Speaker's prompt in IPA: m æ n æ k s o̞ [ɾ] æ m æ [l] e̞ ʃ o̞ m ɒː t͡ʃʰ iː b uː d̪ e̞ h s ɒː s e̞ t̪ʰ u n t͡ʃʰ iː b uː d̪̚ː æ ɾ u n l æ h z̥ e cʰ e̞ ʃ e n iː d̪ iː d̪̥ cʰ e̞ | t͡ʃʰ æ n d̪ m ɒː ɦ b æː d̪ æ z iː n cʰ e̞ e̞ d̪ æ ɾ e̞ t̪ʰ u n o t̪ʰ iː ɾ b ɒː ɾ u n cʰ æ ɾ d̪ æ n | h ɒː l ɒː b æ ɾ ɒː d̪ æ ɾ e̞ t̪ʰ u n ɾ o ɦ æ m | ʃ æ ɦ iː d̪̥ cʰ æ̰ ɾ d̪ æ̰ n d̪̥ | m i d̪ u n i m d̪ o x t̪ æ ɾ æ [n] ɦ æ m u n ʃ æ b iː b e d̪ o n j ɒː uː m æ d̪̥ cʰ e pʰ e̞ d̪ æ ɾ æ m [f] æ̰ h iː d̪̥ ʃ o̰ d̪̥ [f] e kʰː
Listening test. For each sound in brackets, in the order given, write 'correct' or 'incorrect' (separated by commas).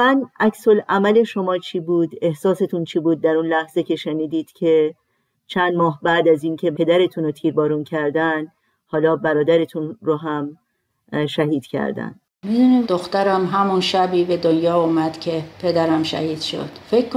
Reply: incorrect, correct, incorrect, incorrect, correct